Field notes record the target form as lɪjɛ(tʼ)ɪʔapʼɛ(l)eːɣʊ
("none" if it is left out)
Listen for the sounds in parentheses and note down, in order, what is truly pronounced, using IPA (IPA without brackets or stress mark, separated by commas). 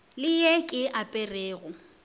kʼ, r